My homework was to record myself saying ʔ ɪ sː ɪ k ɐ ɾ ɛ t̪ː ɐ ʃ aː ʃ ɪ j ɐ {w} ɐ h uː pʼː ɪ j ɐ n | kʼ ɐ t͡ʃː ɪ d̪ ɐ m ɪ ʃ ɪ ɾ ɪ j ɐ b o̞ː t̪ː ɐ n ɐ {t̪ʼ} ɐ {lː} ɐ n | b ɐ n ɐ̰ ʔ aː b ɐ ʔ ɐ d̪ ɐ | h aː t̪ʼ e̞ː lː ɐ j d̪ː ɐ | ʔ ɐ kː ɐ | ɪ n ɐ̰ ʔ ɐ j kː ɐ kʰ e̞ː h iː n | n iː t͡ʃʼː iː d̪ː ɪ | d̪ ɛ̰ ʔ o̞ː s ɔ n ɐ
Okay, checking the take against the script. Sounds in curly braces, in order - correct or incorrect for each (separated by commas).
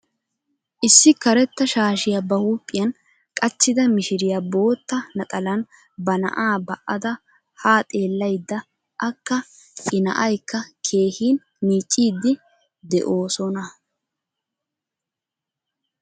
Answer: incorrect, correct, incorrect